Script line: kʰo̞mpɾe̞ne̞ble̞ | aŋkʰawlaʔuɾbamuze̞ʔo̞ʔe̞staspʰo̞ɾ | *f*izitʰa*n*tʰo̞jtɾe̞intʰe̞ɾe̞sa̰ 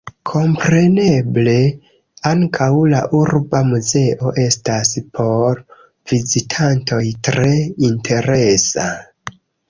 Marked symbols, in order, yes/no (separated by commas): no, yes